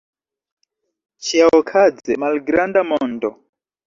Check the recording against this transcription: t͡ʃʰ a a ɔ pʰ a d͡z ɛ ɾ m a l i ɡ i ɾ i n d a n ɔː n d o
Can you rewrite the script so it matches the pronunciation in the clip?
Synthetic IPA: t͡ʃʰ i a ɔ kʰ a d͡z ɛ m a l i ɡ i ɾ a n d a m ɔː n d ɔ